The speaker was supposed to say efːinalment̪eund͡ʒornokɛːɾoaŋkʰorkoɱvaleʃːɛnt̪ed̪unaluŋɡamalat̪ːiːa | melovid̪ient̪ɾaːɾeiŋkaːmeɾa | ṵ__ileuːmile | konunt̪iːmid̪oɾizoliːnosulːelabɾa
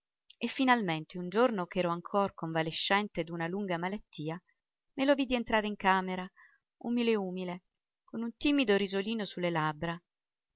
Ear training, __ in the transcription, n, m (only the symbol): m